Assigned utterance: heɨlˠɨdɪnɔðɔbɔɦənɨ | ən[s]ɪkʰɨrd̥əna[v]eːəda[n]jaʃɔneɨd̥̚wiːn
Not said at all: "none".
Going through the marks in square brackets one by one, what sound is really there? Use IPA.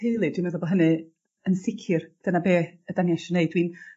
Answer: s, b, n

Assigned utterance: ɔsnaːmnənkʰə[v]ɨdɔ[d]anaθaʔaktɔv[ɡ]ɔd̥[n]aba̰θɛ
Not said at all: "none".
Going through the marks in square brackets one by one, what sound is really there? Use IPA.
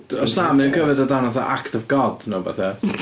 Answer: v, d, ɡ, n

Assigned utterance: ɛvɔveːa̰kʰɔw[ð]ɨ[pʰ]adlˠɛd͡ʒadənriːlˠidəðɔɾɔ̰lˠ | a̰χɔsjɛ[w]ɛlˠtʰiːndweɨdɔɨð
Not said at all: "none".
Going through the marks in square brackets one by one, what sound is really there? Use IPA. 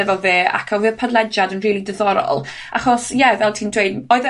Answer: v, pʰ, v

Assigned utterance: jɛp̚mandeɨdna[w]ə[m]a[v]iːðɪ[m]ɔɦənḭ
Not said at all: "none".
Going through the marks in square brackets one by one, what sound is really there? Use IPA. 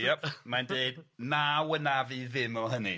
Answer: w, n, v, m

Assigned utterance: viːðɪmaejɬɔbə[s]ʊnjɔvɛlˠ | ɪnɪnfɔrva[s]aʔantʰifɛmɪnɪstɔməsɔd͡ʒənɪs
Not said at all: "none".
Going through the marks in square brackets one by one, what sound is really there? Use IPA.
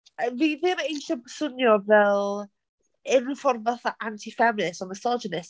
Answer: s, θ

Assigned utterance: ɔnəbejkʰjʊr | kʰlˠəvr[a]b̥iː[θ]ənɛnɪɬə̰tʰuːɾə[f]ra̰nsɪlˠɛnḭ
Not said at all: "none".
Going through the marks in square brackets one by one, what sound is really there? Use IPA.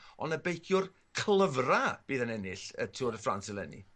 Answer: a, ð, f

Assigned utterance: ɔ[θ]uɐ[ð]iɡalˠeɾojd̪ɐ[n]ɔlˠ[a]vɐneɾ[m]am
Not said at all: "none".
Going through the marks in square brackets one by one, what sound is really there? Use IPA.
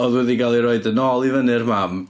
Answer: ð, ð, n, i, m

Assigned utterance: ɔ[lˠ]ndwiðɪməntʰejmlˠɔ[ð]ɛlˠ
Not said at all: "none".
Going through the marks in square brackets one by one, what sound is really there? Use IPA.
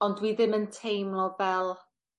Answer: none, v

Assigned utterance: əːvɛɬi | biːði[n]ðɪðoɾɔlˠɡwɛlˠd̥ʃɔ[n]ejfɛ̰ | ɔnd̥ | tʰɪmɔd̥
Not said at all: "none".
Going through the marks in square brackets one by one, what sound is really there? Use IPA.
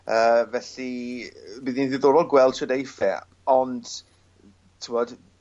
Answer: n, d

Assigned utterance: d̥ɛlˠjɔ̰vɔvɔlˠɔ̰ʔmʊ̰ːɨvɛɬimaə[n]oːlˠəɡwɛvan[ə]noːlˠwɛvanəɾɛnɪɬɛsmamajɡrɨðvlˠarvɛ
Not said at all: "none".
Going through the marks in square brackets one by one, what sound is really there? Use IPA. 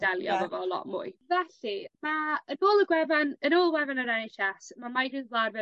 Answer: n, ə

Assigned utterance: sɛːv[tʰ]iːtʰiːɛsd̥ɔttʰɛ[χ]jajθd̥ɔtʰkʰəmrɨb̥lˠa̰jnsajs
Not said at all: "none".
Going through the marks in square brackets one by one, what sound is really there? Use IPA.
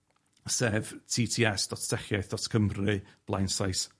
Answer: tʰ, χ

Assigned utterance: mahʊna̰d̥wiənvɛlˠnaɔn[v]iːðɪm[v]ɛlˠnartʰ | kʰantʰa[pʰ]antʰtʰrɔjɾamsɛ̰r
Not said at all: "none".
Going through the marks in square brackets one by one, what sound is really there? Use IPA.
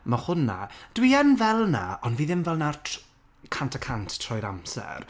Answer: v, v, kʰ

